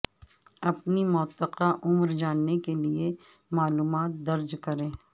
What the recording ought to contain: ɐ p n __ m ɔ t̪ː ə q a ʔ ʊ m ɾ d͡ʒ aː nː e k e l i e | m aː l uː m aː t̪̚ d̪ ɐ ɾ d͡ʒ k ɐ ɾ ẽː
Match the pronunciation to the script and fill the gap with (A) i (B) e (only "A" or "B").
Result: A